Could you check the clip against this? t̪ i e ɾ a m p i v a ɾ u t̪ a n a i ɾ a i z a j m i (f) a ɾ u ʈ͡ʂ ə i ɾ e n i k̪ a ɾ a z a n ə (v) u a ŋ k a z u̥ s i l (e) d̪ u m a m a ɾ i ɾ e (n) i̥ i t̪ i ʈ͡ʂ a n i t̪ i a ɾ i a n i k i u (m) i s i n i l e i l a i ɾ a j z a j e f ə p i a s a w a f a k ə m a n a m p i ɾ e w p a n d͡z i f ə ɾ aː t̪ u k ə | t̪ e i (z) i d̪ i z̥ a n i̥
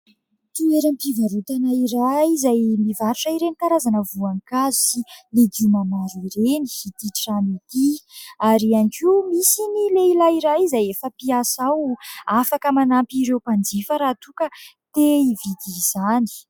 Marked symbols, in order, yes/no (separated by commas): no, yes, yes, yes, yes, no